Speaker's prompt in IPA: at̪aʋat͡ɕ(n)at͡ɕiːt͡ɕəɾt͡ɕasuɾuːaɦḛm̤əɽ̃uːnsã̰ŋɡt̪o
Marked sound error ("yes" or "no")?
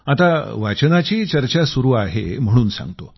no